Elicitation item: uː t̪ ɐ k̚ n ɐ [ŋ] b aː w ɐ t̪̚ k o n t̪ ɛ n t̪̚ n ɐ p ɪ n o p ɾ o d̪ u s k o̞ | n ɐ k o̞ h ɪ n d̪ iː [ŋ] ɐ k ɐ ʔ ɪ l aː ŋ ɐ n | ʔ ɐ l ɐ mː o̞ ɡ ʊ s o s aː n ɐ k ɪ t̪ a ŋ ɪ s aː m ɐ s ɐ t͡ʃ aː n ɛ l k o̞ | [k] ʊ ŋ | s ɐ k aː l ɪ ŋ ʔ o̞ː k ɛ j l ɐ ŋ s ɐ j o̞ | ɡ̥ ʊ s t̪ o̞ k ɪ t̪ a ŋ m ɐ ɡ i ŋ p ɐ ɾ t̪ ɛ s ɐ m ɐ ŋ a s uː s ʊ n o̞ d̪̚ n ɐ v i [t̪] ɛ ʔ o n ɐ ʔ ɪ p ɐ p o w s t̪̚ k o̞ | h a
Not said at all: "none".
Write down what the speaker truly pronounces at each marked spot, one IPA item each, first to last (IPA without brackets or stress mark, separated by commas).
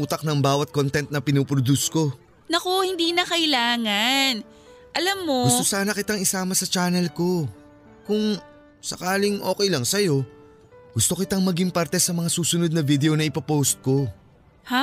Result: ŋ, n, k, d̪